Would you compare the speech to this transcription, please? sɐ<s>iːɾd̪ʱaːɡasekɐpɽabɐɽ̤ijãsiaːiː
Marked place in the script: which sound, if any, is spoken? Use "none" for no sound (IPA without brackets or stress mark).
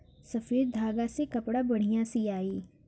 f